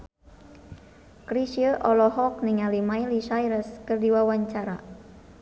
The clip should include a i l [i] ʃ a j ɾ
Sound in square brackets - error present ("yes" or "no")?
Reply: no